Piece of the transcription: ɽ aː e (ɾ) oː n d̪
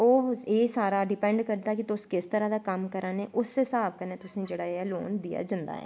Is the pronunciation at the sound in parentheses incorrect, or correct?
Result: incorrect: l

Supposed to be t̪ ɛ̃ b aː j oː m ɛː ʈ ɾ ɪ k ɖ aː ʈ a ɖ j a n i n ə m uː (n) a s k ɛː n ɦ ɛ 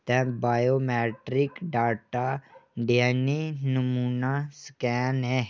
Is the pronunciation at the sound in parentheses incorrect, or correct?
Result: correct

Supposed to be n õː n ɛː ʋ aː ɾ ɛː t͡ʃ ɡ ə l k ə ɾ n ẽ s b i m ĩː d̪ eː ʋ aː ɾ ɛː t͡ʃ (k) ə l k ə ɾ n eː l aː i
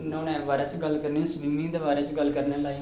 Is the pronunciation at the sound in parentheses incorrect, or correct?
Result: incorrect: ɡ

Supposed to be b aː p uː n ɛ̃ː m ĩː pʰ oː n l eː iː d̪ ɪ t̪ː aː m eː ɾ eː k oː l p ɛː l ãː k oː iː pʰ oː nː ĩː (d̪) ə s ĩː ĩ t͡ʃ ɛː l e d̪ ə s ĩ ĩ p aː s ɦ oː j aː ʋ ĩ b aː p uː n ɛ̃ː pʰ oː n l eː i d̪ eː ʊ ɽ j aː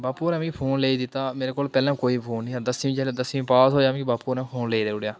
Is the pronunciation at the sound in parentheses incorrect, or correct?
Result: correct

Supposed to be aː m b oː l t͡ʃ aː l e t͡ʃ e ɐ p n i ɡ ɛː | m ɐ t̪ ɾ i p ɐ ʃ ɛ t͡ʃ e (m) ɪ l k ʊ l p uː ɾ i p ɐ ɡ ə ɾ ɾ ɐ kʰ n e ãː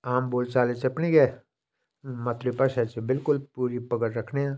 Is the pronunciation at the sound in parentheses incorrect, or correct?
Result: incorrect: b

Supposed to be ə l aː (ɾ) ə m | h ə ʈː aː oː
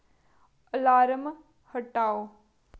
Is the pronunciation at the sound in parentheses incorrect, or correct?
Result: correct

